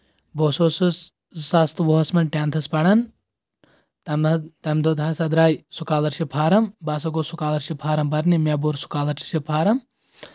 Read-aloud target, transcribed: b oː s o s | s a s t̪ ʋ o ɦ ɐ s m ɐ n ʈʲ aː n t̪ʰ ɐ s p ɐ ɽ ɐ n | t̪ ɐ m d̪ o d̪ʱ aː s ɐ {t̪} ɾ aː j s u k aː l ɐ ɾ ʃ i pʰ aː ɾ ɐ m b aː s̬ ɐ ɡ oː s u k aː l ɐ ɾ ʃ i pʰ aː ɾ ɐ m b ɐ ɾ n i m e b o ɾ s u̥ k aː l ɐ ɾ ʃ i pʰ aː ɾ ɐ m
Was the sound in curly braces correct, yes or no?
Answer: no